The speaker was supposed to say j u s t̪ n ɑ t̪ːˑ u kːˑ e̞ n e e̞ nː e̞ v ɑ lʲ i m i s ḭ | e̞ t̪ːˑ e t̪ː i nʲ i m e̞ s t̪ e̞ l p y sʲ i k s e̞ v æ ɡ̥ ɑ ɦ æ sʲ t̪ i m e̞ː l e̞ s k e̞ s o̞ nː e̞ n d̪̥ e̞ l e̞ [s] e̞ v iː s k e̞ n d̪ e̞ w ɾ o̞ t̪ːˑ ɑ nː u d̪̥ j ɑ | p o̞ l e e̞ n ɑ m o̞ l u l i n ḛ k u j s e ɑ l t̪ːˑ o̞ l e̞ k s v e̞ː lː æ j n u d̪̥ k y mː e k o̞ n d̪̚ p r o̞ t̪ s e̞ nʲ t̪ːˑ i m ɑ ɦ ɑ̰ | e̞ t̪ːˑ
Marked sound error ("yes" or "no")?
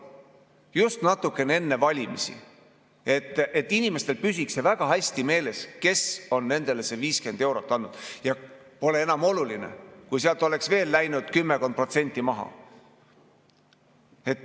no